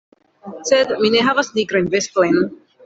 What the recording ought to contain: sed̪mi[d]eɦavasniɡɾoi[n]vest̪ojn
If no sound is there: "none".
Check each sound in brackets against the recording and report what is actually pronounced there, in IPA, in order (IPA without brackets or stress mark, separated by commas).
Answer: n, n